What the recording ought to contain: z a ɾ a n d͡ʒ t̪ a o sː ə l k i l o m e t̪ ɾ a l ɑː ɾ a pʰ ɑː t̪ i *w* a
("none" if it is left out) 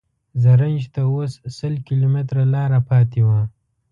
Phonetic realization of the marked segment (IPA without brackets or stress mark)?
w